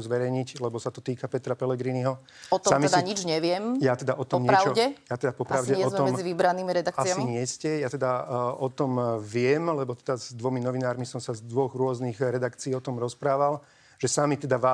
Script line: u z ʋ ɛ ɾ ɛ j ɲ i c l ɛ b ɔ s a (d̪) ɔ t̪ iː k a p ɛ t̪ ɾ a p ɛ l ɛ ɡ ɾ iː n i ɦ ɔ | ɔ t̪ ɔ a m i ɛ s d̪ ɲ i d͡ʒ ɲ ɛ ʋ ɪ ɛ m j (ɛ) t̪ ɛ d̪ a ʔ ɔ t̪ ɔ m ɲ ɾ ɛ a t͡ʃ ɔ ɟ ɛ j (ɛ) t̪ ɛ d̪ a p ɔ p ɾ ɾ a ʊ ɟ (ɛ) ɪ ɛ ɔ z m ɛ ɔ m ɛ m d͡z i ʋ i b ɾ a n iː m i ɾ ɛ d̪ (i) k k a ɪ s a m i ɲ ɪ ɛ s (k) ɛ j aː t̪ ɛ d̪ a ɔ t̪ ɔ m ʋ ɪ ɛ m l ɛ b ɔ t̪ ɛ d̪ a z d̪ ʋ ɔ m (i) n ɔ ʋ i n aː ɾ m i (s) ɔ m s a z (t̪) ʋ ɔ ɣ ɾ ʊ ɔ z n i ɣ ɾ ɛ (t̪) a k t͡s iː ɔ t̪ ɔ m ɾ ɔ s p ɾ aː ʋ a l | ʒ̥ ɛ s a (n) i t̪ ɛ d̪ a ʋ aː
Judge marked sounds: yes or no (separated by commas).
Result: no, no, no, yes, no, no, yes, yes, no, no, no